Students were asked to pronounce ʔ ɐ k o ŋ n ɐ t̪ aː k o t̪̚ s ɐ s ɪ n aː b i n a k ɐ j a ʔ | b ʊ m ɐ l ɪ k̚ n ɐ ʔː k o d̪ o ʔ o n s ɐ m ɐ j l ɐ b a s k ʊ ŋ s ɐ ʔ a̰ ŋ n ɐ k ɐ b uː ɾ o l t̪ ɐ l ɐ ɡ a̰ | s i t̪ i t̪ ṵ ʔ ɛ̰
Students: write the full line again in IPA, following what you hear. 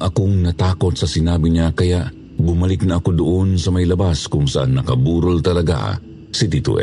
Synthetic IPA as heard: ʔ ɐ k o ŋ n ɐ t̪ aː k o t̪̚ s ɐ s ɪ n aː b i ɲ a k ɐ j a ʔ | b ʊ m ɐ l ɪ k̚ n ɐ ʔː k o d̪ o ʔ o n s ɐ m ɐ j l ɐ b a s k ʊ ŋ s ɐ ʔ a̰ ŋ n ɐ k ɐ b uː ɾ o l t̪ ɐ l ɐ ɡ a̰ | s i t̪ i t̪ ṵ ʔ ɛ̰